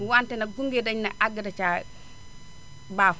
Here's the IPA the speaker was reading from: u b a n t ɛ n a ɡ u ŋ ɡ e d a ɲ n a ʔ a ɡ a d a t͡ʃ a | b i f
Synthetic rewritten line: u w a n t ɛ n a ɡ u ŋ ɡ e d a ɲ n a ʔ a ɡ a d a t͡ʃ a | b a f

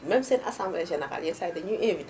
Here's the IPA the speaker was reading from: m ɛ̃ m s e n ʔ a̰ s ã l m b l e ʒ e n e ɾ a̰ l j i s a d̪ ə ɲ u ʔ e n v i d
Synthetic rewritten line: m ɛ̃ m s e n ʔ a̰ s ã m b l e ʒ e n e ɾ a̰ l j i s a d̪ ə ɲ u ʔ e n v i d

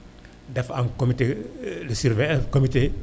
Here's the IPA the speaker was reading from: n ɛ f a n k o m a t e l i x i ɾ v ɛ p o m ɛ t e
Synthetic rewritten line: d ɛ f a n k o m i t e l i s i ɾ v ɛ k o m i t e

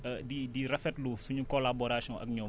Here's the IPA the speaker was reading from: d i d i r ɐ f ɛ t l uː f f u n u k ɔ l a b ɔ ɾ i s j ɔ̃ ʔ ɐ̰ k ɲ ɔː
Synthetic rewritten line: d i d i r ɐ f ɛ t l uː f s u ɲ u k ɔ l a b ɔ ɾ a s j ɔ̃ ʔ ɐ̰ k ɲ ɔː

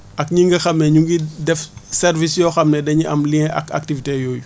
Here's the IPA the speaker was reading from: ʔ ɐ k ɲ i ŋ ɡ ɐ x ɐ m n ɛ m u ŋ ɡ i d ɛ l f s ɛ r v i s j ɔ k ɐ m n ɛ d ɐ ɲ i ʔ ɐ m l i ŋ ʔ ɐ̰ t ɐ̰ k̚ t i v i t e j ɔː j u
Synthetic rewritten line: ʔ ɐ k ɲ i ŋ ɡ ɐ x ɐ m n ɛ ɲ u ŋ ɡ i d ɛ f s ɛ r v i s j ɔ x ɐ m n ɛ d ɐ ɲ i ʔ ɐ m l i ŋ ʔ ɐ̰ k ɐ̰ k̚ t i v i t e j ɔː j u

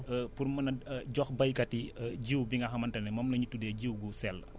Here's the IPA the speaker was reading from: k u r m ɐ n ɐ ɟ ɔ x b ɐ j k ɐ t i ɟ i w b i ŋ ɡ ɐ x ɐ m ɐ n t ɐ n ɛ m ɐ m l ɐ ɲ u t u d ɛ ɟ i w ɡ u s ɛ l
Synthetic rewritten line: p u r m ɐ n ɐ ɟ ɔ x b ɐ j k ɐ t i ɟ i w b i ŋ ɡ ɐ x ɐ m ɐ n t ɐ n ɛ m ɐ m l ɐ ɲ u t u d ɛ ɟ i w ɡ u s ɛ l

